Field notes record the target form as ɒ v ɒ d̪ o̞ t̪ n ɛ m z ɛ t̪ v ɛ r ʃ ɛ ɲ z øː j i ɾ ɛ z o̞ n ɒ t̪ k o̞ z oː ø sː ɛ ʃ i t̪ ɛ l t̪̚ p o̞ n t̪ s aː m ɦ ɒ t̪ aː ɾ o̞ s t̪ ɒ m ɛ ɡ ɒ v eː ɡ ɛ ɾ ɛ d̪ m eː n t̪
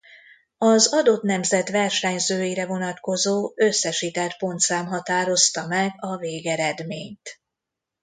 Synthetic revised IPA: ɒ z ɒ d̪ o̞ t̪ n ɛ m z ɛ t̪ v ɛ r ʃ ɛ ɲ z øː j i ɾ ɛ v o̞ n ɒ t̪ k o̞ z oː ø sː ɛ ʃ i t̪ ɛ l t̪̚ p o̞ n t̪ s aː m ɦ ɒ t̪ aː ɾ o̞ s t̪ ɒ m ɛ ɡ ɒ v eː ɡ ɛ ɾ ɛ d̪ m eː ɲ t̪